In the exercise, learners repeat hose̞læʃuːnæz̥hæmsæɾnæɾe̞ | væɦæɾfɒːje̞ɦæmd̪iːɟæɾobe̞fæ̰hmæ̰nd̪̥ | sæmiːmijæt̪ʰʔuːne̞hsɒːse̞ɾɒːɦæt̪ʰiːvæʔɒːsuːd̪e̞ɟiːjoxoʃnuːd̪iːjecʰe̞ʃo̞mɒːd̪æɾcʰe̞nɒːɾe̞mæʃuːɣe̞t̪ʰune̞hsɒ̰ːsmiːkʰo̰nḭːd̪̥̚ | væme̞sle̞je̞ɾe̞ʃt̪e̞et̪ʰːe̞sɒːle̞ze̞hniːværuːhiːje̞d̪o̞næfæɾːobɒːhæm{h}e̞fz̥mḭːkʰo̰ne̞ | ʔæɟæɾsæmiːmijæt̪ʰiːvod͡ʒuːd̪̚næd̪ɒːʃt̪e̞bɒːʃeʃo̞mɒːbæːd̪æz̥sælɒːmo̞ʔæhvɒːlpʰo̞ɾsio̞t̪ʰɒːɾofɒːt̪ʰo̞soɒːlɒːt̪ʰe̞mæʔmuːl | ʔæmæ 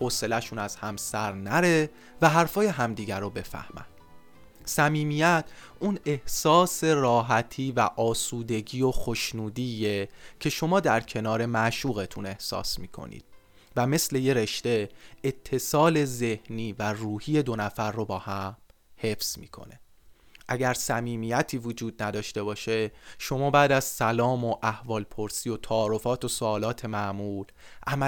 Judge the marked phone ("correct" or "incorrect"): correct